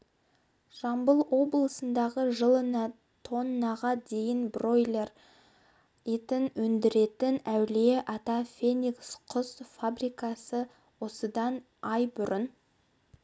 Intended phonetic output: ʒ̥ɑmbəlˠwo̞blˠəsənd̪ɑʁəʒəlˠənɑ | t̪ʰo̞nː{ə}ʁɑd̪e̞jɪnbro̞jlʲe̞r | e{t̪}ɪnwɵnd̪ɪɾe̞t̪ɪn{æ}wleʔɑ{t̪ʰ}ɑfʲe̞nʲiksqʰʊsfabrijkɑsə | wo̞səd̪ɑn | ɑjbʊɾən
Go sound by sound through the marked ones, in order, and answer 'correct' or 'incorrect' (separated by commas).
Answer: incorrect, correct, correct, incorrect